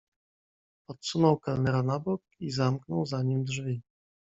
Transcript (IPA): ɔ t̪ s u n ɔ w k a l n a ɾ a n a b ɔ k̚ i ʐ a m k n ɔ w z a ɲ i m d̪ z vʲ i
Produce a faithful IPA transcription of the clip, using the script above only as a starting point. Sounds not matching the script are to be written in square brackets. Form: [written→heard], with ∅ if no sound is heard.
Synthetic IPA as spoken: ɔ t̪ s u n ɔ w k a l n [a→ɛ] ɾ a n a b ɔ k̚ i [ʐ→z] a m k n ɔ w z a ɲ i m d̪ [z→ʐ] vʲ i